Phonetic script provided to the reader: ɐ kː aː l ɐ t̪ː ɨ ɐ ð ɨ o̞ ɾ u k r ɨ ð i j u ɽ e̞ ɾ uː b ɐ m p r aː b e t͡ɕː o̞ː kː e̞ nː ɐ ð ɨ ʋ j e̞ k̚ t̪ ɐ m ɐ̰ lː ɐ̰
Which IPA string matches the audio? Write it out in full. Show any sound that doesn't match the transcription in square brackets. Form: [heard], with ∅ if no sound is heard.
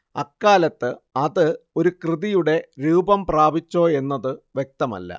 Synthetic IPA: ɐ kː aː l ɐ t̪ː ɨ ɐ ð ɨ o̞ ɾ u k r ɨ ð i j u ɽ e̞ ɾ uː b ɐ m p r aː b [i] t͡ɕː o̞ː [∅] e̞ nː ɐ ð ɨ ʋ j e̞ k̚ t̪ ɐ m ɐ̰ lː ɐ̰